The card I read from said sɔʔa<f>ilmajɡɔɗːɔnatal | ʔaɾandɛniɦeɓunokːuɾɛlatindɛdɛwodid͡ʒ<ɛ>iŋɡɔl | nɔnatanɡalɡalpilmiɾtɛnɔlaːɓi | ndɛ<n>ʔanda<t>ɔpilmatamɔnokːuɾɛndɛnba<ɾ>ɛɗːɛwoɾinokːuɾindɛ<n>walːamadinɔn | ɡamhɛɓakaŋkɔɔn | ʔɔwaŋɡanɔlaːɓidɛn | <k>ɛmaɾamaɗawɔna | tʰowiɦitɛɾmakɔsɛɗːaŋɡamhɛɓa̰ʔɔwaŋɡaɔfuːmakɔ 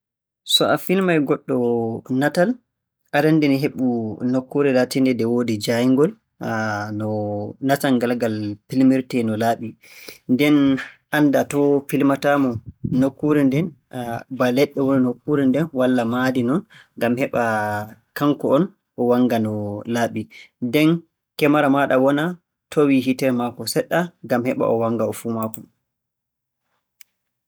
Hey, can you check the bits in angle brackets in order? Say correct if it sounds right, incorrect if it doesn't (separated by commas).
correct, incorrect, correct, correct, incorrect, correct, correct